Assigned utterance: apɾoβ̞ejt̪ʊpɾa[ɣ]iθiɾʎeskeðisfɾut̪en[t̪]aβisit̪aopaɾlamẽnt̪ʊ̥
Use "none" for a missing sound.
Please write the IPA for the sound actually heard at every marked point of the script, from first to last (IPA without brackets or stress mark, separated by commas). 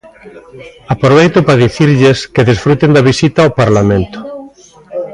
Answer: ð, d̪